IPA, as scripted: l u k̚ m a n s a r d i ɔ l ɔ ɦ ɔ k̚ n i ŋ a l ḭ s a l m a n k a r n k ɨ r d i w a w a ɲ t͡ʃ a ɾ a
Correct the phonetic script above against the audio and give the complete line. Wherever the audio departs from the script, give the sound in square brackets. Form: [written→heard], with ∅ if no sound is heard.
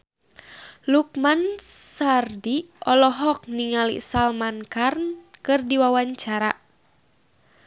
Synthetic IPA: l u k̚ m a n s a r d i ɔ l ɔ ɦ ɔ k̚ n i ŋ a l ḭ s a l m a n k a r n k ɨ r d i w a w a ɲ t͡ʃ a ɾ a